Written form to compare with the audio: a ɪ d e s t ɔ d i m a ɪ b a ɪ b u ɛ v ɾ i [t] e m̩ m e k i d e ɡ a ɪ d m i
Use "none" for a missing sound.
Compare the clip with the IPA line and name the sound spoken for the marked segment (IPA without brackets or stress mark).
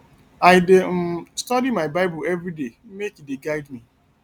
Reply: d